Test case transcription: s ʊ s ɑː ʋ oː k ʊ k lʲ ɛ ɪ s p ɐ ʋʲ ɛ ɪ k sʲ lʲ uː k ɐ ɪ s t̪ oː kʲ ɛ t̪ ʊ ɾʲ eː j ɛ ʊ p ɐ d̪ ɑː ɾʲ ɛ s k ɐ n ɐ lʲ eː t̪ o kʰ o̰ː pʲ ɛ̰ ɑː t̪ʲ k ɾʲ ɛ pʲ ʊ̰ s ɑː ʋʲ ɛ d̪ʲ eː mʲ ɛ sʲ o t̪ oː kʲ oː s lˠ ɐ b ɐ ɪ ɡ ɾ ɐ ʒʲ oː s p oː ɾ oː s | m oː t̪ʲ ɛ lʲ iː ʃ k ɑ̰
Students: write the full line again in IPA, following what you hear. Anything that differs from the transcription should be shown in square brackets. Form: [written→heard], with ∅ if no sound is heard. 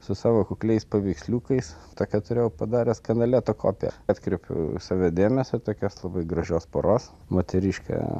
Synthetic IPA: s ʊ s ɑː ʋ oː k ʊ k lʲ ɛ ɪ s p ɐ ʋʲ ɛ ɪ k sʲ lʲ uː k ɐ ɪ s t̪ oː kʲ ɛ t̪ ʊ ɾʲ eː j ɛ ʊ p ɐ d̪ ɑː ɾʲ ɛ s k ɐ n ɐ lʲ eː t̪ o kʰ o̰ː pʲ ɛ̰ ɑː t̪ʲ k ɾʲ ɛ pʲ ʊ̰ s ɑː ʋʲ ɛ d̪ʲ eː mʲ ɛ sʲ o t̪ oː kʲ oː s lˠ ɐ b ɐ ɪ ɡ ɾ ɐ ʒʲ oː s p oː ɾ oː s | m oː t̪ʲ ɛ [lʲ→ɾʲ] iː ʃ k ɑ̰